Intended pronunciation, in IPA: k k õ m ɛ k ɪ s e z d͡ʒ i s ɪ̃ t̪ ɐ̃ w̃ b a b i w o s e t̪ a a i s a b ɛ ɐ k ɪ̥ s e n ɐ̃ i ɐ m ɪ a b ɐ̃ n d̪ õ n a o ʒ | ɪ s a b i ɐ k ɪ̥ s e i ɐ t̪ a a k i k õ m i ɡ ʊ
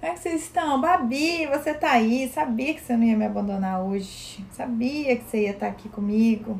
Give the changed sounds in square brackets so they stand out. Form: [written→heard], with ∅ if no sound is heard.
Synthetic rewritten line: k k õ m ɛ k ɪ s e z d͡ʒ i s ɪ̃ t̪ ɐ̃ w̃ b a b i [w→v] o s e t̪ a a i s a b [ɛ→i] ɐ k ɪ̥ s e n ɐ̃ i ɐ m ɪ a b ɐ̃ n d̪ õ n a o ʒ | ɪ s a b i ɐ k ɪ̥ s e i ɐ t̪ a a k i k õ m i ɡ ʊ